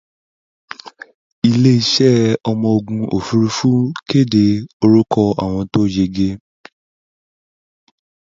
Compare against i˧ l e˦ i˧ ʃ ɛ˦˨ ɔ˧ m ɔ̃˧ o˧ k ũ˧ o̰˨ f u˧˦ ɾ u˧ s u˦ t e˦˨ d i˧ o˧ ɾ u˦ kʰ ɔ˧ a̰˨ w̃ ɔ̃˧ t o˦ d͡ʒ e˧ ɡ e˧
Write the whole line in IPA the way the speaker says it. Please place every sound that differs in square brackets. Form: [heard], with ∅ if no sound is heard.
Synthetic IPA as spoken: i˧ l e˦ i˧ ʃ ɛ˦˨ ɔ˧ m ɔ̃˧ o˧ [ɡ] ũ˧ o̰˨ f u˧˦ ɾ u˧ [f] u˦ [k] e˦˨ d [e˧] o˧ ɾ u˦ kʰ ɔ˧ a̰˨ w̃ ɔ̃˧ t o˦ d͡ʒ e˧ ɡ e˧